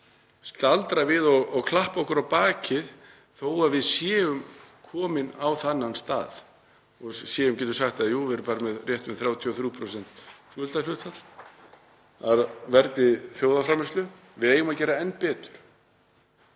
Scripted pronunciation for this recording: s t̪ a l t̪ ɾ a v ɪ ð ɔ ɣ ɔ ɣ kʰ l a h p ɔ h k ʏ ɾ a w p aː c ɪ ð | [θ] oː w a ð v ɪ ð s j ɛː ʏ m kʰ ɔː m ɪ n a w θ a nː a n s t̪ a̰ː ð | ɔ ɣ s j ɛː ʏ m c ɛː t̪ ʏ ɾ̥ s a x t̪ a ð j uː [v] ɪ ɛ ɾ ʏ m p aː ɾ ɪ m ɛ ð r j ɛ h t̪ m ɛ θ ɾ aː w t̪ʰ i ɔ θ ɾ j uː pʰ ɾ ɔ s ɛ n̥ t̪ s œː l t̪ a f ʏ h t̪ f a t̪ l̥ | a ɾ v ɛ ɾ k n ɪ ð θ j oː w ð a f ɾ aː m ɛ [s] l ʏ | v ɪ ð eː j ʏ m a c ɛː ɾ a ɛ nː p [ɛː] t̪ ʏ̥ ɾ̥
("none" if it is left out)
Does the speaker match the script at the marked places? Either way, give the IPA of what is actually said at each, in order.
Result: θ, v, s, ɛː

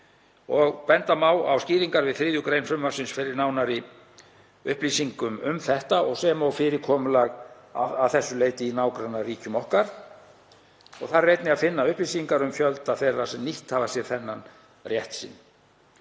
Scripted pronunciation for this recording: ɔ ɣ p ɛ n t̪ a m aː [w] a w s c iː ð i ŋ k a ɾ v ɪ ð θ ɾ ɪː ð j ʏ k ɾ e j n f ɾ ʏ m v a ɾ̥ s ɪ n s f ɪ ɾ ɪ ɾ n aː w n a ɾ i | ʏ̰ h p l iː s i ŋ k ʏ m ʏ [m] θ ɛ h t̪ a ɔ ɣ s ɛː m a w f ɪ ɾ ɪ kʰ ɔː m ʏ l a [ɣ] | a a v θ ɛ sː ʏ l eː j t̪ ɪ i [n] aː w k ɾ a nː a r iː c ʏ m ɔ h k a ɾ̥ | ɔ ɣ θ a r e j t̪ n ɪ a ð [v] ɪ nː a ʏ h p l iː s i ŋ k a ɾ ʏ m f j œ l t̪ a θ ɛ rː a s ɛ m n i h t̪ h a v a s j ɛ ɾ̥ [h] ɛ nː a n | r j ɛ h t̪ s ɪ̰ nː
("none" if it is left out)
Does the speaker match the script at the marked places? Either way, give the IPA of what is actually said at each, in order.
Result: w, m, ɣ, n, f, θ

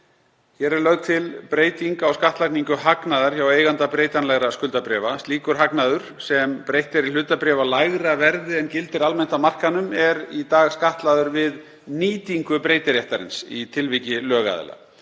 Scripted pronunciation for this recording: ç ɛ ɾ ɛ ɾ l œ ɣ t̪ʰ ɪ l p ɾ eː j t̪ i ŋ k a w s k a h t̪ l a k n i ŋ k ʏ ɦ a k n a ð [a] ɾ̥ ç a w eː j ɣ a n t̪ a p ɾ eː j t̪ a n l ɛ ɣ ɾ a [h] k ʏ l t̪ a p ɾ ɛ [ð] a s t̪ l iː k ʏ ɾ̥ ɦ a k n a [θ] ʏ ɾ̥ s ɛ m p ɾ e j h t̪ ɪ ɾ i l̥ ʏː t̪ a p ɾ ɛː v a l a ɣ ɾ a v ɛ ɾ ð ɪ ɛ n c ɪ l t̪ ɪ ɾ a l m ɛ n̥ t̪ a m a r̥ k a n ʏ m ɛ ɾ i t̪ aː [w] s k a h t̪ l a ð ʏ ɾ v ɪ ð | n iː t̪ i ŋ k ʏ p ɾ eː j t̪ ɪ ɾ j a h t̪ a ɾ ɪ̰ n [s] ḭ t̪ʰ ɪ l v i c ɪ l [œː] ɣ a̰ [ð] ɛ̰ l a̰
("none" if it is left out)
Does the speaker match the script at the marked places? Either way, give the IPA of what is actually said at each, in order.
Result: a, s, v, ð, ɣ, s, œː, ð

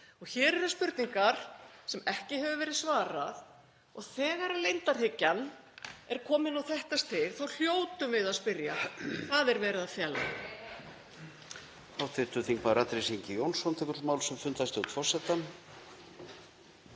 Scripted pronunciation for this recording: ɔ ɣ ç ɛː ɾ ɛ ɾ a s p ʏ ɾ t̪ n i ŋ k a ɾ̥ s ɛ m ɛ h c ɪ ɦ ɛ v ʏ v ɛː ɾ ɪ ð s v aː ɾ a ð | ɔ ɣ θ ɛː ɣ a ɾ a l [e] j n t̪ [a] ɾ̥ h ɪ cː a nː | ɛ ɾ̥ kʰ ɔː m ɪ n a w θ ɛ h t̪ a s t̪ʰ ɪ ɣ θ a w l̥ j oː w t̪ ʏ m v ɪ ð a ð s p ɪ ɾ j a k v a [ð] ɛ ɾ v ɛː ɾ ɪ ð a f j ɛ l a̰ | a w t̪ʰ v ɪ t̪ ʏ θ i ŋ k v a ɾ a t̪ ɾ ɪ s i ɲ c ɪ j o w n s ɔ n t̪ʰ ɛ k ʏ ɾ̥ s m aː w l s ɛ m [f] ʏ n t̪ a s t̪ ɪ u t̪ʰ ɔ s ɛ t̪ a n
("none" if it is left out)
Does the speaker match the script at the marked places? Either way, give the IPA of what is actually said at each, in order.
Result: e, a, ð, f

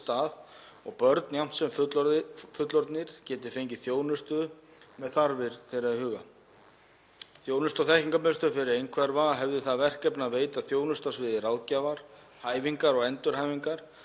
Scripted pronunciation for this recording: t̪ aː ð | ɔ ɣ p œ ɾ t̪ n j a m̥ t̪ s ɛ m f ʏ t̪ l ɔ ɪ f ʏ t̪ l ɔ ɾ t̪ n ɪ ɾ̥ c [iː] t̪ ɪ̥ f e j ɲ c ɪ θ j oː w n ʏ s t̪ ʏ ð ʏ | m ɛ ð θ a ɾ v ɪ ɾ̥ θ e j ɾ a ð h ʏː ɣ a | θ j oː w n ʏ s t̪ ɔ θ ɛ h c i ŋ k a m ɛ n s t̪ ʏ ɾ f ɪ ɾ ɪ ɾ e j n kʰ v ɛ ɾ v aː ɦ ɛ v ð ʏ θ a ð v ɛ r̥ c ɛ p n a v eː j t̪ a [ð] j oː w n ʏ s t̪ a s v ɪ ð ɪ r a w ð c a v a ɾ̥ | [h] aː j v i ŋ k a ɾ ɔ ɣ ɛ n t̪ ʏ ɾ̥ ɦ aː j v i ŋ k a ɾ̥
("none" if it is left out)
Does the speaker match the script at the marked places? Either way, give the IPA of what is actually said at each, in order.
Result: ɛː, θ, h

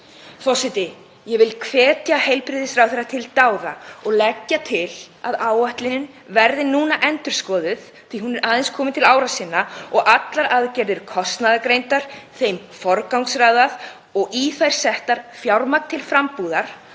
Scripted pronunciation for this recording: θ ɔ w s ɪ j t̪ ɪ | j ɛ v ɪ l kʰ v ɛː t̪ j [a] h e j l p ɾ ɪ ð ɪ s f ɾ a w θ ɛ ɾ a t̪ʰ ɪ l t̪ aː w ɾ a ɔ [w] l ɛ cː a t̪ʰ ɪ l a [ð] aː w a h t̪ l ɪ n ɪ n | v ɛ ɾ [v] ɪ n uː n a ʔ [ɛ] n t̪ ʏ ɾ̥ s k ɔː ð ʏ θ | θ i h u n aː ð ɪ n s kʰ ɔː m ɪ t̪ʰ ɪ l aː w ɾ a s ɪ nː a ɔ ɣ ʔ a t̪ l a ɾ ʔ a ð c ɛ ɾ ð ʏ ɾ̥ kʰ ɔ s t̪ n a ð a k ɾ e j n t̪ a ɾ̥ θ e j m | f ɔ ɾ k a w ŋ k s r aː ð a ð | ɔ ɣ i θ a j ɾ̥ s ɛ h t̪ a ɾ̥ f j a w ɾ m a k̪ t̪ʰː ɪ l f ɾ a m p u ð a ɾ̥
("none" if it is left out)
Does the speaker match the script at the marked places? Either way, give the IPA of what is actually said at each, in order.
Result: a, ɣ, ð, ð, ɛ

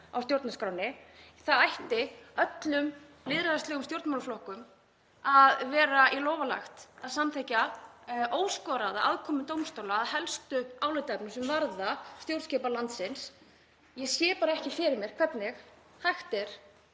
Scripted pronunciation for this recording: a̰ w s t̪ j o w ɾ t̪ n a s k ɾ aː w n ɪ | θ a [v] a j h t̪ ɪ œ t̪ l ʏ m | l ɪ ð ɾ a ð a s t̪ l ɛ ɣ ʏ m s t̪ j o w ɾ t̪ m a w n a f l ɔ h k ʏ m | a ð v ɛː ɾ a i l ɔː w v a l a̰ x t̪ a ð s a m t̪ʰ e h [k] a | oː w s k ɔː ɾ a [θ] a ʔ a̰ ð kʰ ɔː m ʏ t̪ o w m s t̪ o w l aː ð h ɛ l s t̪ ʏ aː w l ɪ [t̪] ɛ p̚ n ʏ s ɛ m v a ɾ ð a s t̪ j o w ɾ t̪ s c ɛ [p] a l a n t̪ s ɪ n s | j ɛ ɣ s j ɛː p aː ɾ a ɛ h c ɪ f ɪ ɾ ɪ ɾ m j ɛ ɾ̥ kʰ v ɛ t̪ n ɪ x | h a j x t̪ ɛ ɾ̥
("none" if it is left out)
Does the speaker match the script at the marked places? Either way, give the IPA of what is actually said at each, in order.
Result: ð, c, ð, t̪, p

